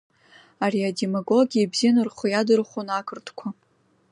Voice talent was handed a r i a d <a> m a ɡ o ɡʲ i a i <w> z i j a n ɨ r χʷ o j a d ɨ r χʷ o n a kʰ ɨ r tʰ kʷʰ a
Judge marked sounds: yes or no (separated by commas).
no, no